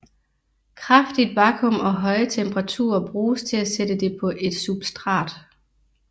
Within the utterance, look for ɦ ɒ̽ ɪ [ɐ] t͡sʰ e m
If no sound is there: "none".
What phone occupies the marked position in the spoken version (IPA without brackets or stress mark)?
ə